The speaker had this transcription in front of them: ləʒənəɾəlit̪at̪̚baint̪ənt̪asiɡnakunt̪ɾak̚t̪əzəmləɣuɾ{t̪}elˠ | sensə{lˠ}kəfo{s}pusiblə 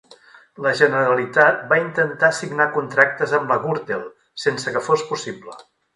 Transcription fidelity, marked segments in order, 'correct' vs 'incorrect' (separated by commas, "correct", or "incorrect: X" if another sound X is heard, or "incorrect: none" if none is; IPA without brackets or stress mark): correct, incorrect: none, correct